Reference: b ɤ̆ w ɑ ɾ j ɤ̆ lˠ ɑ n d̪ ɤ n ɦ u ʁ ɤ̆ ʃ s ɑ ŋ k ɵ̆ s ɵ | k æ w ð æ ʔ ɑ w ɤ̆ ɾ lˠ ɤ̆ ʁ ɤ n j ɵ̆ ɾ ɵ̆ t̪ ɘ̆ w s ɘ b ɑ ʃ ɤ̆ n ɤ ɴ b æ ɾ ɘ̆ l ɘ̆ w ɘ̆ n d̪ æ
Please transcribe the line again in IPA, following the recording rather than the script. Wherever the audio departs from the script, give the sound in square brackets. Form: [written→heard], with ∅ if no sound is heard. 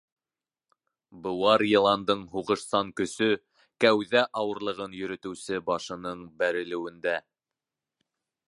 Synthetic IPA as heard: b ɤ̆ w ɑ ɾ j ɤ̆ lˠ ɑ n d̪ ɤ [n→ɴ] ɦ u ʁ ɤ̆ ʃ s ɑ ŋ k ɵ̆ s ɵ | k æ w ð æ ʔ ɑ w ɤ̆ ɾ lˠ ɤ̆ ʁ ɤ n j ɵ̆ ɾ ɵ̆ t̪ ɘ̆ w s ɘ b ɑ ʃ ɤ̆ n ɤ ɴ b æ ɾ ɘ̆ l ɘ̆ w ɘ̆ n d̪ æ